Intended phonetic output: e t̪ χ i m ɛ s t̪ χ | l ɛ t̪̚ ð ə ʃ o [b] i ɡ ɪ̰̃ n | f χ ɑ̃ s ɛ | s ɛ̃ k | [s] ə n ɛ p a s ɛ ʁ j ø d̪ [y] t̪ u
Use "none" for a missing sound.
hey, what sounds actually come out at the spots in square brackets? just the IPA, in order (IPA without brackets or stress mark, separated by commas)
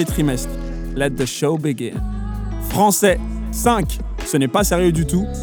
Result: b, s, y